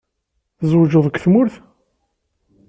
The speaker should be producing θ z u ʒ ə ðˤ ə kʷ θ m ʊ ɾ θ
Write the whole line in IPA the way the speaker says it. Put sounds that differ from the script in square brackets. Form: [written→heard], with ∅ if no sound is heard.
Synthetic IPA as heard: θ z [u→w] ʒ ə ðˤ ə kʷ θ m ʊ ɾ θ

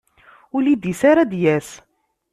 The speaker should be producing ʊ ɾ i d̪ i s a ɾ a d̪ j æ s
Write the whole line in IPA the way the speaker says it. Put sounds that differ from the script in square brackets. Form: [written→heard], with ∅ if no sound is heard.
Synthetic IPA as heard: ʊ [ɾ→l] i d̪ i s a ɾ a d̪ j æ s

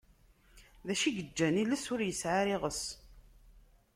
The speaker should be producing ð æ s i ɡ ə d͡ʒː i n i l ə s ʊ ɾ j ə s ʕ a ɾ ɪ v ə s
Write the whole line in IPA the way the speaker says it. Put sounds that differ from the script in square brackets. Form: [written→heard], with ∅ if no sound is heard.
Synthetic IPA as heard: ð æ [s→ʃ] i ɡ ə d͡ʒː [i→æ] n i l ə s ʊ ɾ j ə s ʕ a ɾ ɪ [v→ʁ] ə s

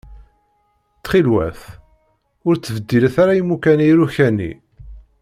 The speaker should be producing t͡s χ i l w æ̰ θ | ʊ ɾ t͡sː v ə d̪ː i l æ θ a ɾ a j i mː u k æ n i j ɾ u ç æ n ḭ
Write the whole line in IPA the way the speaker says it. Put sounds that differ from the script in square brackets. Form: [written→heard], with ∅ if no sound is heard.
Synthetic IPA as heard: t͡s χ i l w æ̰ θ | ʊ ɾ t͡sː v ə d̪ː i l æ θ a ɾ a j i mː u k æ n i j ɾ u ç æ n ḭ

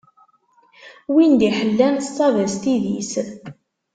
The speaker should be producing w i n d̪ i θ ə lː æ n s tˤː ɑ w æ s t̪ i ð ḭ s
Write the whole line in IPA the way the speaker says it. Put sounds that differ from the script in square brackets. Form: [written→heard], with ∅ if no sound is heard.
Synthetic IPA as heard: w i n d̪ i [θ→ħ] ə lː æ n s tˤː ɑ [w→v] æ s t̪ i ð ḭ s

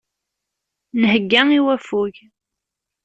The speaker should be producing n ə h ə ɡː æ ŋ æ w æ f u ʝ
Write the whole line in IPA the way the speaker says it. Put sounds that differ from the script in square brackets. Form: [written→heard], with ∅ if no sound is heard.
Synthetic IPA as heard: n ə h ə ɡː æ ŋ [æ→i] w æ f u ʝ

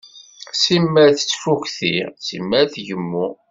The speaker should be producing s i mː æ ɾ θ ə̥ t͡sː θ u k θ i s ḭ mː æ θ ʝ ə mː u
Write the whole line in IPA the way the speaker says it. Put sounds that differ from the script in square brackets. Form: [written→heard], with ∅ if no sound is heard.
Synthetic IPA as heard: s i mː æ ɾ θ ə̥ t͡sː [θ→f] u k θ i s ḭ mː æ θ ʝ ə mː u

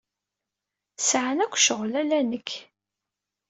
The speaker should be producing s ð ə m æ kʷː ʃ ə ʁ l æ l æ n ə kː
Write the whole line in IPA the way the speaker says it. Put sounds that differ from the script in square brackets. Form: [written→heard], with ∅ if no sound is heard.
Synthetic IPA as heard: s [ð→ʕ] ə [m→n] æ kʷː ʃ ə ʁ l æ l æ n ə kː

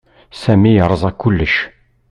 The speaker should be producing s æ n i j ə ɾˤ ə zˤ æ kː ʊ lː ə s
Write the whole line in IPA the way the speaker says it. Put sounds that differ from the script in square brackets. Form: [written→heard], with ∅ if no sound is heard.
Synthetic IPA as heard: s æ [n→m] i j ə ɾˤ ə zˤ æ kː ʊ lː ə [s→ʃ]

